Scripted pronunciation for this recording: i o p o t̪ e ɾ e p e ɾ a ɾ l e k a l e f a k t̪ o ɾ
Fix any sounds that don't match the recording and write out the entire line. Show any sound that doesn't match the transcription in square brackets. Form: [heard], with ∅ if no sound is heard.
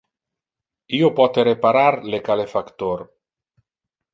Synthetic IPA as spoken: i o p [ɔ] t̪ e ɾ e p [a] ɾ a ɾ l e k a l e f a k t̪ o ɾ